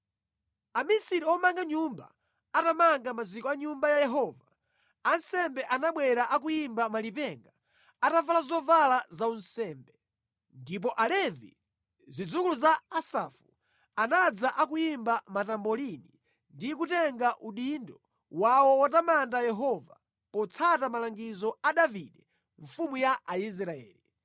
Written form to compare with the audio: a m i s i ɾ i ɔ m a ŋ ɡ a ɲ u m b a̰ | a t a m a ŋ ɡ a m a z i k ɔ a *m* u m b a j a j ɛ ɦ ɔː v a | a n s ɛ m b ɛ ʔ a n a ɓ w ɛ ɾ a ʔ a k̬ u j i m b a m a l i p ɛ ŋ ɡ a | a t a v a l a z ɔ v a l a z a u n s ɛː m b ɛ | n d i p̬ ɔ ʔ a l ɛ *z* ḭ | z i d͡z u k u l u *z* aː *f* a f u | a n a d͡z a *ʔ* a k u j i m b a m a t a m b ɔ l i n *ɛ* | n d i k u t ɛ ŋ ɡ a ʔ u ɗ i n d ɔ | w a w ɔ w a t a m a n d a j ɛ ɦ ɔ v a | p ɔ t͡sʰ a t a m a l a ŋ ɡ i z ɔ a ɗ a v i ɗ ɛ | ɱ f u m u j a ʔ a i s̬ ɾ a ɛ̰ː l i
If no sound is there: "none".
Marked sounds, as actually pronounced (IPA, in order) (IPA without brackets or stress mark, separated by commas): ɲ, v, z, s, ʔ, i